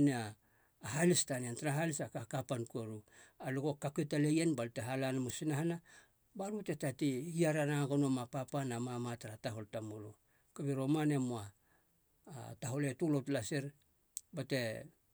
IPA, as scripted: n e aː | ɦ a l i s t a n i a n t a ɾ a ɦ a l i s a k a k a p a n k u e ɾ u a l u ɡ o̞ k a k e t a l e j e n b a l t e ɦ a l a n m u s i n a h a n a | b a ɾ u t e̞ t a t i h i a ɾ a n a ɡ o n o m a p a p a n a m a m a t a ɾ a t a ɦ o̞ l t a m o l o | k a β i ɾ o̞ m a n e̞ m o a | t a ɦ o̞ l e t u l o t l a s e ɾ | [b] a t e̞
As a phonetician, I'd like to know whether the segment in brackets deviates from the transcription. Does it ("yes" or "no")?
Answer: no